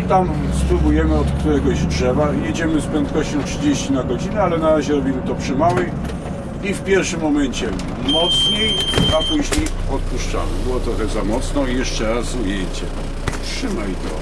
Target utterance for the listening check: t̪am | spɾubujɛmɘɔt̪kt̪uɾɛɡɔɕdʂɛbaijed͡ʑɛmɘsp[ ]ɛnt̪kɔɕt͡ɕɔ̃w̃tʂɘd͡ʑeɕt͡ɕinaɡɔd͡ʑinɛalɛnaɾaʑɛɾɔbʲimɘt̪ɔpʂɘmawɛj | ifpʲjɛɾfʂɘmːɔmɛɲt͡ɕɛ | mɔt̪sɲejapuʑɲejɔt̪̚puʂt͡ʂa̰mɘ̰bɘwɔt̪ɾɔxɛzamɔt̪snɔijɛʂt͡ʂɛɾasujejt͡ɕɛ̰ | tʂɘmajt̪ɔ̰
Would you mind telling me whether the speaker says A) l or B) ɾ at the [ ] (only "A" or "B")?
B